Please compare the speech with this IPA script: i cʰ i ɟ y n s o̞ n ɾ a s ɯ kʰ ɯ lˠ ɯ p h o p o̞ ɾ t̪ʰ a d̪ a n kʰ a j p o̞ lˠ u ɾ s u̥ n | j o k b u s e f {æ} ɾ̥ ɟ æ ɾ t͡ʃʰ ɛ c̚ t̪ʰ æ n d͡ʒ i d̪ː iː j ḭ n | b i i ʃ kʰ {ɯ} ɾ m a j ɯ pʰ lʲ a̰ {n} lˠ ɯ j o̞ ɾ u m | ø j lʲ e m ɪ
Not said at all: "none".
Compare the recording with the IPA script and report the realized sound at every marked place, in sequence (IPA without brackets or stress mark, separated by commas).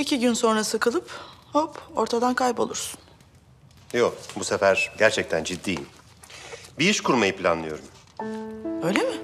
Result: æ, u, n